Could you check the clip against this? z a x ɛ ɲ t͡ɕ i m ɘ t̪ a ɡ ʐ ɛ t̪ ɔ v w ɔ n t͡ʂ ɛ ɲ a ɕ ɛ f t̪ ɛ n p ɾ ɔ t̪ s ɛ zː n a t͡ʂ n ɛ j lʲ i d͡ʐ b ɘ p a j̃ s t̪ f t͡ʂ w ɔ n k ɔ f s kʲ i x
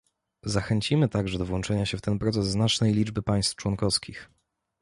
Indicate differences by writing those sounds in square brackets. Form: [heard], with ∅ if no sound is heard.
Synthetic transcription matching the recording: z a x ɛ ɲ t͡ɕ i m ɘ t̪ a ɡ ʐ ɛ [d̪] ɔ v w ɔ n t͡ʂ ɛ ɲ a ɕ ɛ f t̪ ɛ n p ɾ ɔ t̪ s ɛ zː n a t͡ʂ n ɛ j lʲ i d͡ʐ b ɘ p a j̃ s t̪ f t͡ʂ w ɔ n k ɔ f s kʲ i x